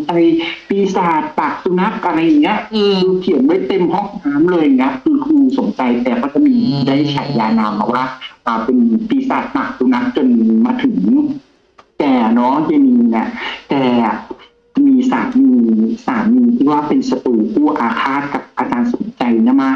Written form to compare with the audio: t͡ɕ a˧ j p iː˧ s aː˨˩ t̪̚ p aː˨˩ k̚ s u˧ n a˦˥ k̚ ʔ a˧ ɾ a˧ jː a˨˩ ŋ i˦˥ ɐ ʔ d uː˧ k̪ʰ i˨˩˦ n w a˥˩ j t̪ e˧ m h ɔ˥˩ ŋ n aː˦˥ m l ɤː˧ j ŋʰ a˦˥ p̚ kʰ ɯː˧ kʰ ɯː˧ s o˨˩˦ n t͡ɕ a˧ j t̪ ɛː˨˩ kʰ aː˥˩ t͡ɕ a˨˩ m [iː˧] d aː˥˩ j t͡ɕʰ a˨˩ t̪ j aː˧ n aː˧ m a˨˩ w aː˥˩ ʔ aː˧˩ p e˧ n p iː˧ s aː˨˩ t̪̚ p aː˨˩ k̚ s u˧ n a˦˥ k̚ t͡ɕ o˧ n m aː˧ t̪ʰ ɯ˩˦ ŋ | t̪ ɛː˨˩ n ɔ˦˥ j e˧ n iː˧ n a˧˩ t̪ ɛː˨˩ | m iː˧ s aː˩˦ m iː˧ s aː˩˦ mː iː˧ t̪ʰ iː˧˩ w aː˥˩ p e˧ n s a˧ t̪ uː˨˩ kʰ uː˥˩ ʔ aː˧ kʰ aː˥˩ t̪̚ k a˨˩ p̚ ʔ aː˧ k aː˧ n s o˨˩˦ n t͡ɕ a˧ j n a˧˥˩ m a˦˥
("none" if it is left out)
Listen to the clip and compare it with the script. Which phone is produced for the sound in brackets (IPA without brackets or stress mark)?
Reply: iː˧